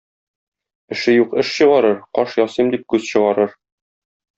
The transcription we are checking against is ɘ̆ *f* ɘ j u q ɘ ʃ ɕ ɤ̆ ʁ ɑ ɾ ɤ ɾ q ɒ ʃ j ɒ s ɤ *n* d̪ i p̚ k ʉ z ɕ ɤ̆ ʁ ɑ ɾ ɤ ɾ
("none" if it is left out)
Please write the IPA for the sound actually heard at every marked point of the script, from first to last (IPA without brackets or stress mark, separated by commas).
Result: ʃ, m